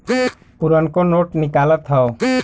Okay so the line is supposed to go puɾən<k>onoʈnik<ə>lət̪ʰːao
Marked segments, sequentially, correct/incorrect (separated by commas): correct, incorrect